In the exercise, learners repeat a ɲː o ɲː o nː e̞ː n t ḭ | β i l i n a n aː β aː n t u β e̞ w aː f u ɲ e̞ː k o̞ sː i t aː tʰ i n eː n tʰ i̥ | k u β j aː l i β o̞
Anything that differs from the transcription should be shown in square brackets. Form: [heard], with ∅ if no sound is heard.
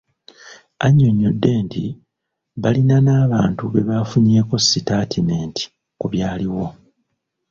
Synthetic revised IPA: a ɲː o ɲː o [dː] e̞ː n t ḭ | β [a] l i n a n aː β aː n t u β e̞ [β] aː f u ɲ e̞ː k o̞ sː i t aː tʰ i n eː n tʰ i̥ | k u β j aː l i [w] o̞